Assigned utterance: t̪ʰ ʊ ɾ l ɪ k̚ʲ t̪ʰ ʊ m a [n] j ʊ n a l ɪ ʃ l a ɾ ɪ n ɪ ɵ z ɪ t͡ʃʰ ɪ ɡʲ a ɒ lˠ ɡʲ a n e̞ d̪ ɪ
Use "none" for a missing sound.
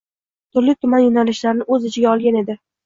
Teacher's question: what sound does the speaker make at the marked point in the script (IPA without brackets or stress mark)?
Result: n